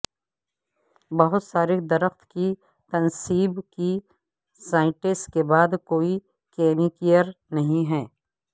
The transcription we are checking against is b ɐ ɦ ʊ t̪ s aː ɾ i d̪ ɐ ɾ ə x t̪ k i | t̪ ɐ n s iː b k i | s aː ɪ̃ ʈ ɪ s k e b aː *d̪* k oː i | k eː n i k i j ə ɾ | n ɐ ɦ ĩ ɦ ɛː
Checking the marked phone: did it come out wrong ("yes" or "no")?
no